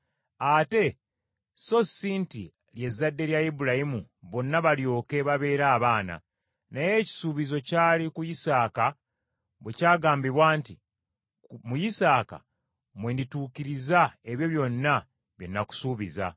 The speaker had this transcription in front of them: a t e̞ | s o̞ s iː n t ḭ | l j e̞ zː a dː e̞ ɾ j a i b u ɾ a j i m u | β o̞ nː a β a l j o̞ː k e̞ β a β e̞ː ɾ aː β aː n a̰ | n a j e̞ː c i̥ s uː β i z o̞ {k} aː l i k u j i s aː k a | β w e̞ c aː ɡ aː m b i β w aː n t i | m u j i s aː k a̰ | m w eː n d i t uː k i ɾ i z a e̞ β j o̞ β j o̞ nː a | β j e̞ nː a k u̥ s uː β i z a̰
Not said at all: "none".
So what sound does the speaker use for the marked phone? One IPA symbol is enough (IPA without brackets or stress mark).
c